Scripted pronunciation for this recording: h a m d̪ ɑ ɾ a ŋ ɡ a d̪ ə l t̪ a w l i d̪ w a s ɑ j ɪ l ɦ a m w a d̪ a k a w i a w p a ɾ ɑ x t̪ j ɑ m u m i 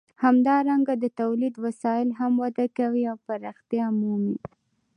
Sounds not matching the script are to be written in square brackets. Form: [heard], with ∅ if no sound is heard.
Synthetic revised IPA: h a m d̪ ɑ ɾ a ŋ ɡ a d̪ ə [∅] t̪ a w l i d̪ w a s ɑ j ɪ l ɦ a m w a d̪ a k a w i a w p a ɾ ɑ x t̪ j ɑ m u m i